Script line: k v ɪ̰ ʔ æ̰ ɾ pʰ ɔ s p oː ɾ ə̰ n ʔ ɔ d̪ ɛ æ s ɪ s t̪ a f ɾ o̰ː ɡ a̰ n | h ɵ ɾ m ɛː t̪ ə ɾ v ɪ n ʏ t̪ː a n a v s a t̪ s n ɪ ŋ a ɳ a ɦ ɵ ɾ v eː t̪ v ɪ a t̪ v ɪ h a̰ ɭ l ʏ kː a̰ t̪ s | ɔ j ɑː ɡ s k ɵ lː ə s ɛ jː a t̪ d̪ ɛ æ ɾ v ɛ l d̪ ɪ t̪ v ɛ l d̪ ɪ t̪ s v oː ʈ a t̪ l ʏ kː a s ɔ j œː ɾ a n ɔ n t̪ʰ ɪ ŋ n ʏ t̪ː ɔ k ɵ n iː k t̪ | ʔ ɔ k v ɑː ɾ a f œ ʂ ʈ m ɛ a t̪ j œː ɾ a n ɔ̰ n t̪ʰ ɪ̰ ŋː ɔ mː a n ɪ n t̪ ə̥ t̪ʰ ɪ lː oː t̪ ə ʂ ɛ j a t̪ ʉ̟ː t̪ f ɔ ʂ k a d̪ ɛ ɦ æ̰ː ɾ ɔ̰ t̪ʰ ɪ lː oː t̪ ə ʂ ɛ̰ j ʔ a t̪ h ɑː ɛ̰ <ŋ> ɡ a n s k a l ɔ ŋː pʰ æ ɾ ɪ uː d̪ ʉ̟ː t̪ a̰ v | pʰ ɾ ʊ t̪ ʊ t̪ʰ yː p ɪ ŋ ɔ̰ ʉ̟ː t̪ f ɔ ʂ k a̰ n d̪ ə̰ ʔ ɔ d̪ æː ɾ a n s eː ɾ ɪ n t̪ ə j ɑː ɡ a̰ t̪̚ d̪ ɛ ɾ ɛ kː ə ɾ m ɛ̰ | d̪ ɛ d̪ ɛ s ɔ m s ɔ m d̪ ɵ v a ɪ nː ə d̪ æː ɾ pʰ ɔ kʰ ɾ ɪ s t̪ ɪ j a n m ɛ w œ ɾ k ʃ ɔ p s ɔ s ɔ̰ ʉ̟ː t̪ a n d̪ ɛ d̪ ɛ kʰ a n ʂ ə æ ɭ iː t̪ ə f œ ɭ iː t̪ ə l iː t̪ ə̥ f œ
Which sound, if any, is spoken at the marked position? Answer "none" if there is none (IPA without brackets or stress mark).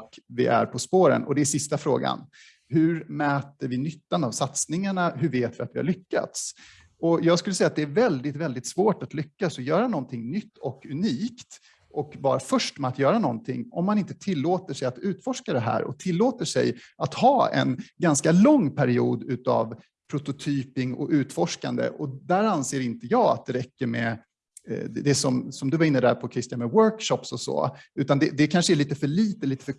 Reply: n